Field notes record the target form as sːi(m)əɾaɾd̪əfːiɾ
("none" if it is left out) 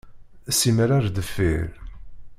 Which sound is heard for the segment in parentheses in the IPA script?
m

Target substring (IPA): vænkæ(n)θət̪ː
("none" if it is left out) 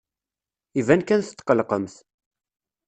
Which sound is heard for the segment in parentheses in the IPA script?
n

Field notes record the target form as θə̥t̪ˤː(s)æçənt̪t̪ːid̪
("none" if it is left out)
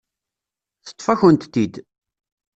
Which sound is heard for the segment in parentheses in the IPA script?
f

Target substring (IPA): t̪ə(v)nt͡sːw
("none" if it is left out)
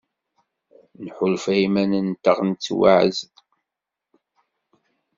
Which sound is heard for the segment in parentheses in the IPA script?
ʁ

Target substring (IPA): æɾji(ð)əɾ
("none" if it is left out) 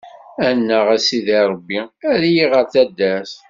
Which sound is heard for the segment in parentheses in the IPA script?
ʁ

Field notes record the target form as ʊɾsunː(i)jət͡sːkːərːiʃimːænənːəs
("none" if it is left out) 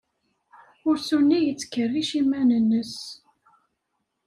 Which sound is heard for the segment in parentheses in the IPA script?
i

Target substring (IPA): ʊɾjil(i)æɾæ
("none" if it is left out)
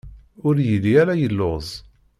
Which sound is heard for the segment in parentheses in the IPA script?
i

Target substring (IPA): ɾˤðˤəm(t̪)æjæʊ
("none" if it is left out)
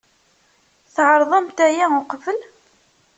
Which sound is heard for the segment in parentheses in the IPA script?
t̪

